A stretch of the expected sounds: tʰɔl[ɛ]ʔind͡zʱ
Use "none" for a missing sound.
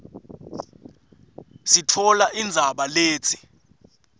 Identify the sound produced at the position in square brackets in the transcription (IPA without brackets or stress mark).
a